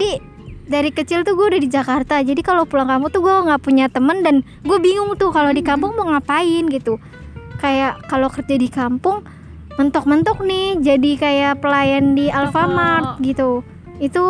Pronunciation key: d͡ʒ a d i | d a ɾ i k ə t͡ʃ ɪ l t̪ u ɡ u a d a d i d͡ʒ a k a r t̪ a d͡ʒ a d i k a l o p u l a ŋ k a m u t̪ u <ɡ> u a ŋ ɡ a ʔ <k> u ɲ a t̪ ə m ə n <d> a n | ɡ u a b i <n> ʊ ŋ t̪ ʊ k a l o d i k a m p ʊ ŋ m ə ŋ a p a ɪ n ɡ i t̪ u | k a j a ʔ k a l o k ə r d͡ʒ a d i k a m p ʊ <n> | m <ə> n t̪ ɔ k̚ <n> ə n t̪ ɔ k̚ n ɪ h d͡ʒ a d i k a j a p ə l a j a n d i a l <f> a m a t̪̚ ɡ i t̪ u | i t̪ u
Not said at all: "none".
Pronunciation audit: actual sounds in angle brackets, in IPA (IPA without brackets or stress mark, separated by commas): ɡ, p, d, ŋ, ŋ, ə, m, f